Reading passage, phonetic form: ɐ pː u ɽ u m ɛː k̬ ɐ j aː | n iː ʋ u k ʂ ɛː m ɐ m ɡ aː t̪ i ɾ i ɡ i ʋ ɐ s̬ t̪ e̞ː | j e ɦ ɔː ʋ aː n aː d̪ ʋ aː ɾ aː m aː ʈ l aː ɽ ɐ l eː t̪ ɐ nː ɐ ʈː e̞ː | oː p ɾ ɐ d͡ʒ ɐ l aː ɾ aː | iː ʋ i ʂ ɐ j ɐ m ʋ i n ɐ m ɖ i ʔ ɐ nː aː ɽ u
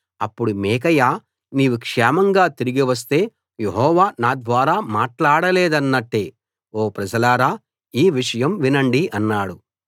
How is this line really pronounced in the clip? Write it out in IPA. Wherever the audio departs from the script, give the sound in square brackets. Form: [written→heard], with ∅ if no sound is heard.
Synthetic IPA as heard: ɐ pː u ɽ u m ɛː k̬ ɐ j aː | n iː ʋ u k ʂ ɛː m ɐ [m→ŋ] ɡ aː t̪ i ɾ i ɡ i ʋ ɐ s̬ t̪ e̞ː | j e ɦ ɔː ʋ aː n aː d̪ ʋ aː ɾ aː m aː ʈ l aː ɽ ɐ l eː [t̪→d̪] ɐ nː ɐ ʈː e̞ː | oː p ɾ ɐ d͡ʒ ɐ l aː ɾ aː | iː ʋ i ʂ ɐ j ɐ m ʋ i n ɐ [m→ɳ] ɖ i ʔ ɐ nː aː ɽ u